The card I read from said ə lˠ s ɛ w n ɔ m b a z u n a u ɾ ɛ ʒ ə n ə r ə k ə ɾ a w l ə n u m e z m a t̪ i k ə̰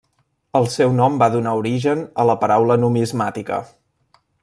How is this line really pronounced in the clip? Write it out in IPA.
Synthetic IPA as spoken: ə lˠ s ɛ w n ɔ m b a ð u n a u ɾ i ʒ ə n ə l ə p ə ɾ a w l ə n u m i z m a t̪ i k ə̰

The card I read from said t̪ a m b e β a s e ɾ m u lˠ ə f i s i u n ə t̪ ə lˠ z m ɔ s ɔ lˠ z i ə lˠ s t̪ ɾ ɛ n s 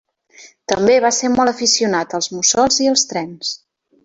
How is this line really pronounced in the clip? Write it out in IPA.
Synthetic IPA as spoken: t̪ ə m b e β a s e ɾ m ɔ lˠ ə f i s i u n a t̪ ə lˠ z m u s ɔ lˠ z i ə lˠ s t̪ ɾ ɛ n s

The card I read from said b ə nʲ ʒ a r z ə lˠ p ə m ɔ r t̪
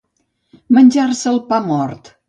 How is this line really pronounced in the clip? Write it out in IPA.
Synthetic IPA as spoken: m ə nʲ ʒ a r s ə lˠ p a m ɔ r t̪

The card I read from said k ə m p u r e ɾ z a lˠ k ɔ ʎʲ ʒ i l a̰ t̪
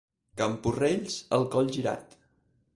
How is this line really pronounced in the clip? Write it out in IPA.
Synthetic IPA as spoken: k ə m p u r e ʎ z ə lˠ k ɔ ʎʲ ʒ i ɾ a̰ t̪

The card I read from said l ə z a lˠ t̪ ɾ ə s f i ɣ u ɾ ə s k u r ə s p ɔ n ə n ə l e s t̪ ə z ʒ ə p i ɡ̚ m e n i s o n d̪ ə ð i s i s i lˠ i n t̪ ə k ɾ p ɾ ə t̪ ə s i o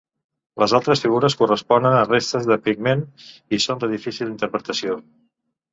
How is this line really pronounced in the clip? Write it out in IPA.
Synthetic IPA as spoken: l ə z a lˠ t̪ ɾ ə s f i ɣ u ɾ ə s k u r ə s p ɔ n ə n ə r e s t̪ ə z ð ə p i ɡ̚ m e n i s o n d̪ ə ð i f i s i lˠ i n t̪ ə ɾ p ɾ ə t̪ ə s i o

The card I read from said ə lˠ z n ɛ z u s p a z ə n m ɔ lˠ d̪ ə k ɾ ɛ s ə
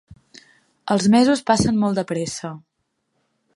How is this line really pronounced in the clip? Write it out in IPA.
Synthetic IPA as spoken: ə lˠ z m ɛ z u s p a s ə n m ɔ lˠ d̪ ə p ɾ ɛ s ə

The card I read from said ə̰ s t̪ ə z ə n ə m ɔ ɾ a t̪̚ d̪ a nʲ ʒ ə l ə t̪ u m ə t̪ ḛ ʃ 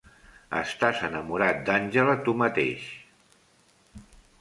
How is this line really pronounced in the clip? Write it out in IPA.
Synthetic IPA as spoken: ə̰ s t̪ a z ə n ə m u ɾ a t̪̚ d̪ a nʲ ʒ ə l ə t̪ u m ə t̪ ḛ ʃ

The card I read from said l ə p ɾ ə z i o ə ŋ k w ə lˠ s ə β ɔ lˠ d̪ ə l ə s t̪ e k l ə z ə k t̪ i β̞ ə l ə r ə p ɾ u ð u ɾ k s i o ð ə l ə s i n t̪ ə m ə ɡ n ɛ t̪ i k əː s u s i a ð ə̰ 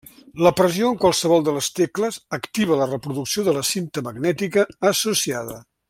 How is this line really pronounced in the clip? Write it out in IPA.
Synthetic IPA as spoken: l ə p ɾ ə z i o ə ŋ k w a lˠ s ə β ɔ lˠ d̪ ə l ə s t̪ e k l ə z ə k t̪ i β̞ ə l ə r ə p ɾ u ð u k s i o ð ə l ə s i n t̪ ə m ə ɡ n ɛ t̪ i k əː s u s i a ð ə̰

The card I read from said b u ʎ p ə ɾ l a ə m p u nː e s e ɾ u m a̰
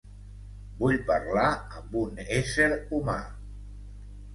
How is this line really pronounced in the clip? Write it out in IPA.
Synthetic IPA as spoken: b u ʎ p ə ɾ l a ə m b u n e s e ɾ u m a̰

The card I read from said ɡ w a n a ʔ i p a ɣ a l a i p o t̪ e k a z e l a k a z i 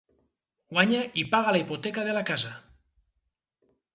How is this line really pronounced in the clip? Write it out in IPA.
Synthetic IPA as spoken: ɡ w a ɲ a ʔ i p a ɣ a l a i p o t̪ e k a ð e l a k a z a

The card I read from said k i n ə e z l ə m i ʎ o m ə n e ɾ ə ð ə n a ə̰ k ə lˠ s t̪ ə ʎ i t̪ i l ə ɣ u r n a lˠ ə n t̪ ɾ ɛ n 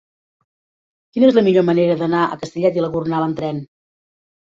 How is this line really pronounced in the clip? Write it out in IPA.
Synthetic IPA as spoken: k i n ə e z l ə m i ʎ o m ə n e ɾ ə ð ə n a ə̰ k ə s t̪ ə ʎ ɛ t̪ i l ə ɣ u r n a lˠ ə n t̪ ɾ ɛ n

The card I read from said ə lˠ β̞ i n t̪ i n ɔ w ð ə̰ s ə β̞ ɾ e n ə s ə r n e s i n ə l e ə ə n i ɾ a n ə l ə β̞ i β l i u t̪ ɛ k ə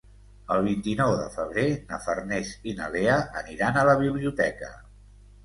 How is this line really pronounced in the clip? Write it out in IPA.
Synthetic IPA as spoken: ə lˠ β̞ i n t̪ i n ɔ w ð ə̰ f ə β̞ ɾ e n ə f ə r n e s i n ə l e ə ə n i ɾ a n ə l ə β̞ i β l i u t̪ ɛ k ə

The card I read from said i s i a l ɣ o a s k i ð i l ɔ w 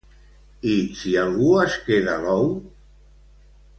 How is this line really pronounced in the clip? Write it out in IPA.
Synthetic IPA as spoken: i s i a l ɣ u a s k e ð a l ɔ w

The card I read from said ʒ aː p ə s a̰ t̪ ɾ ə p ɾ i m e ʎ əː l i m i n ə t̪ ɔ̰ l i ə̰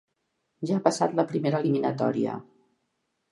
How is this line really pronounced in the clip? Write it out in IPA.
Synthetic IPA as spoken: ʒ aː p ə s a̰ t̪ l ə p ɾ i m e ɾ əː l i m i n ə t̪ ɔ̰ ɾ i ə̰

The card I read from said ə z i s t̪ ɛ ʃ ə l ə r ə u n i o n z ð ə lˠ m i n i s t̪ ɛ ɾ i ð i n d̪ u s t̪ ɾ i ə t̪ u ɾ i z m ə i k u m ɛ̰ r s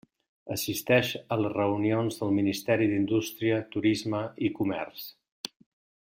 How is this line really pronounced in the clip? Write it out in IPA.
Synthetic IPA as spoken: ə s i s t̪ ɛ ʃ ə l ə r ə u n i o n z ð ə lˠ m i n i s t̪ ɛ ɾ i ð i n d̪ u s t̪ ɾ i ə t̪ u ɾ i z m ə i k u m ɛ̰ r s

